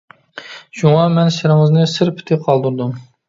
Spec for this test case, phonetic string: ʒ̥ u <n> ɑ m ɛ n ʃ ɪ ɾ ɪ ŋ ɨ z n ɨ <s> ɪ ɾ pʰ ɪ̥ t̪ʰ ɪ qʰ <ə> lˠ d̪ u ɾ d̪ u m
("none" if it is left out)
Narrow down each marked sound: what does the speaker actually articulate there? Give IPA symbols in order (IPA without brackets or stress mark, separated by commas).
ŋ, s, ɑ